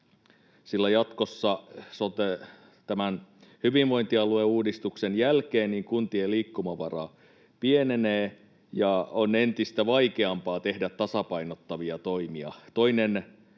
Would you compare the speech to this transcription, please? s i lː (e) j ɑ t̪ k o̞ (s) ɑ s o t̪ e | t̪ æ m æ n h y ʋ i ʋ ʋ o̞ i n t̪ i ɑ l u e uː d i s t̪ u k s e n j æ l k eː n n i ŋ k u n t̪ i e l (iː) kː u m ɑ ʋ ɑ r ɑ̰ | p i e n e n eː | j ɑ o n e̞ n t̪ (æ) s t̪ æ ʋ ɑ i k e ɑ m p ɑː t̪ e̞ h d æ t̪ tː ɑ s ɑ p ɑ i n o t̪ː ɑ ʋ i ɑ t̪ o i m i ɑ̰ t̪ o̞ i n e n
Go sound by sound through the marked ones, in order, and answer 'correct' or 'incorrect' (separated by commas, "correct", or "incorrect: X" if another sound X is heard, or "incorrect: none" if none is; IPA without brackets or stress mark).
incorrect: æ, incorrect: sː, correct, incorrect: i